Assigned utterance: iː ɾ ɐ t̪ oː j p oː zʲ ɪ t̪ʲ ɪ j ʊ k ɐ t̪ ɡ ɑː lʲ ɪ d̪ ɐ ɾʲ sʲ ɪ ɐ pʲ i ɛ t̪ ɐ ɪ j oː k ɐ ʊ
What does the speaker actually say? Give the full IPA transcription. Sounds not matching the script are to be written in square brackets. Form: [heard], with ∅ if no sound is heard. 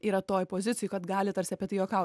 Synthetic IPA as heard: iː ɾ ɐ t̪ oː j p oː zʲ ɪ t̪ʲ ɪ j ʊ k ɐ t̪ ɡ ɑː lʲ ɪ [t̪] ɐ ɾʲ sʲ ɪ ɐ pʲ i ɛ t̪ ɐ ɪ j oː k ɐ ʊ